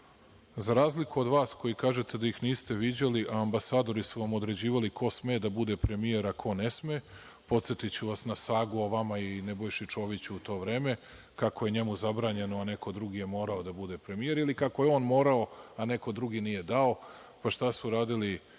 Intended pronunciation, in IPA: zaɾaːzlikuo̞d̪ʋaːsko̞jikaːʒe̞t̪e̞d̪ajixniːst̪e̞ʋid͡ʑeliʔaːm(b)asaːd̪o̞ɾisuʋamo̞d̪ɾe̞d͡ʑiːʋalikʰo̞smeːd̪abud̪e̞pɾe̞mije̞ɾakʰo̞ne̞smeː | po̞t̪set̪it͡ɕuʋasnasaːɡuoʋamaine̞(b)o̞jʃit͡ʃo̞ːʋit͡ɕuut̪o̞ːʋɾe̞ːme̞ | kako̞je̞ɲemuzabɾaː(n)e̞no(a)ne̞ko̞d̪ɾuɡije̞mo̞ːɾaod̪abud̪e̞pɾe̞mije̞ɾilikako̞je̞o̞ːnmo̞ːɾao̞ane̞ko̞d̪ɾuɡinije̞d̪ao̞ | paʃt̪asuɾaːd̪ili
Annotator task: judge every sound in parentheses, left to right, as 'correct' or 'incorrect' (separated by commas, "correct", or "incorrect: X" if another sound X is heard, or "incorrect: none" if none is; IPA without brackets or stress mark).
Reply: correct, correct, incorrect: ɲ, correct